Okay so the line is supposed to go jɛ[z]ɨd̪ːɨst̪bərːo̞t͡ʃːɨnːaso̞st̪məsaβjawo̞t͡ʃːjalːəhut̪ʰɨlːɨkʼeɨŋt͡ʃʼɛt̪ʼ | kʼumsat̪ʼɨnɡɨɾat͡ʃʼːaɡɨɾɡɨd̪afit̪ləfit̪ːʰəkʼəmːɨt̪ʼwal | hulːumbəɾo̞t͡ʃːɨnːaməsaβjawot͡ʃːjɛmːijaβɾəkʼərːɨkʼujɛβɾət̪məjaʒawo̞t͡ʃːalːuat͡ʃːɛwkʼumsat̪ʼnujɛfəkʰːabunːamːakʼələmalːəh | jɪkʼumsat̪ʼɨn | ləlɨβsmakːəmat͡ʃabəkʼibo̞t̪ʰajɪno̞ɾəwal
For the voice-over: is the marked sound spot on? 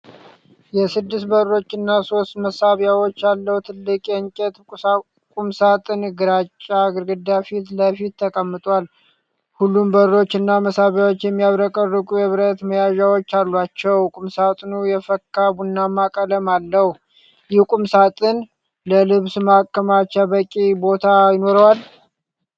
no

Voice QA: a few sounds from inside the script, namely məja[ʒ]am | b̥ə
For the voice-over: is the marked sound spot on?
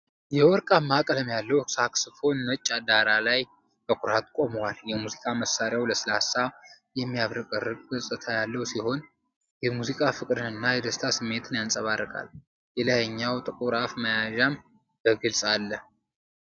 yes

